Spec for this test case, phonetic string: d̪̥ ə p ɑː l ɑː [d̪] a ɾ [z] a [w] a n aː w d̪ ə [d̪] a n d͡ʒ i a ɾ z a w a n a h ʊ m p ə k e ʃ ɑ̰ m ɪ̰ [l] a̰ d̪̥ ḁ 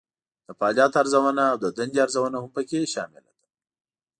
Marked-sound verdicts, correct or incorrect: incorrect: t̪, correct, correct, correct, correct

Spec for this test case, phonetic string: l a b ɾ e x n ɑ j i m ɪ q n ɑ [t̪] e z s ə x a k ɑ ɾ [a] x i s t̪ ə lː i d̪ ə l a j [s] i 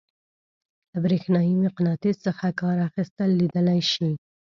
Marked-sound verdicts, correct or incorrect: correct, correct, incorrect: ʃ

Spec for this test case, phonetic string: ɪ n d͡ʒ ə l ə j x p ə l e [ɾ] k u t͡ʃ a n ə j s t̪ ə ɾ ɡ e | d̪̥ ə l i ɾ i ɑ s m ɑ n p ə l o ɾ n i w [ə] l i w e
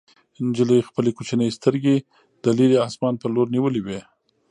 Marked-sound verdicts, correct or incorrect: incorrect: none, correct

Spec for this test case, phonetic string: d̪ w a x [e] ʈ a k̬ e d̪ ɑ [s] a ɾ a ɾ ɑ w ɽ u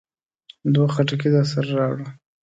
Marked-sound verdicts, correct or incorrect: incorrect: a, correct

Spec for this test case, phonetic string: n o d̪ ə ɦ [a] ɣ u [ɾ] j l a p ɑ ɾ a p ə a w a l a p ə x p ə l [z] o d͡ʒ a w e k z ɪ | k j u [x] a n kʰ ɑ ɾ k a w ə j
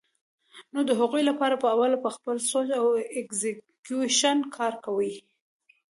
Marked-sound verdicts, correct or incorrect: correct, incorrect: none, incorrect: s, incorrect: ʃ

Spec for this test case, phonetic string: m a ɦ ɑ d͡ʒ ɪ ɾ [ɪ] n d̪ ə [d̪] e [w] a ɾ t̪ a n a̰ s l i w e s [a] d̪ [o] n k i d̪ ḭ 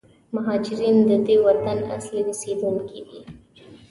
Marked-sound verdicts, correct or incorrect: incorrect: i, correct, correct, incorrect: e, incorrect: u

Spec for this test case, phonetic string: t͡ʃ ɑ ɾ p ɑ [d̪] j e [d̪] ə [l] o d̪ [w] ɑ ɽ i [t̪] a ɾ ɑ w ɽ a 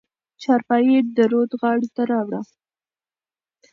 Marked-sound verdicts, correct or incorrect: incorrect: none, correct, incorrect: ɾ, incorrect: ɣ, correct

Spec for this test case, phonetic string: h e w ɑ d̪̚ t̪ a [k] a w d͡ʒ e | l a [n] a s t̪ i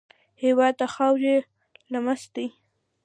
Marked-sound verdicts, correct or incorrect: incorrect: x, incorrect: m

